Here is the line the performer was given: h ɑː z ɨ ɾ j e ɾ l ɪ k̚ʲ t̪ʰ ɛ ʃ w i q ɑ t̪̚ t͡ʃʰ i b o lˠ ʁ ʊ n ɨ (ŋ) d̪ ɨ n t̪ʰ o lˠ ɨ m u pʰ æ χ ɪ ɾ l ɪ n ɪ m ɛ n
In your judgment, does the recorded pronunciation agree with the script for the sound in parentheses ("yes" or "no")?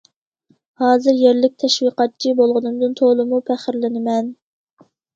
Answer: no